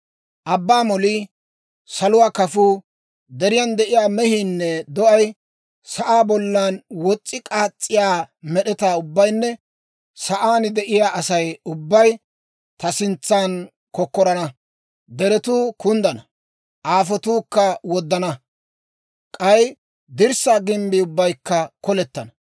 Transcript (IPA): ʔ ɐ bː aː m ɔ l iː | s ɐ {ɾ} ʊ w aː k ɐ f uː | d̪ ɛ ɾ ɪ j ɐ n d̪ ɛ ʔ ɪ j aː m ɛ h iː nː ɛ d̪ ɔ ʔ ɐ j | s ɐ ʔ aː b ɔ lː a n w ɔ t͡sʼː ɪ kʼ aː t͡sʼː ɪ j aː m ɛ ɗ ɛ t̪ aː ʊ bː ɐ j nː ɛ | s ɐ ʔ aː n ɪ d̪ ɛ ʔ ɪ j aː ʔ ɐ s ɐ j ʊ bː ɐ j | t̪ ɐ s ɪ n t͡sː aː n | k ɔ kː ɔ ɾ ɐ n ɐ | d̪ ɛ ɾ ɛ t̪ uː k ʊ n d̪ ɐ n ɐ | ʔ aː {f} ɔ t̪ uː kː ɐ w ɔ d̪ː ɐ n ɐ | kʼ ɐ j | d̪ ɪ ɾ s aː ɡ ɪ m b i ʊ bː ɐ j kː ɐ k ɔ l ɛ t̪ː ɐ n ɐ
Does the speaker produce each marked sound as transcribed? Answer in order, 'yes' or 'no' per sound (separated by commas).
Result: no, yes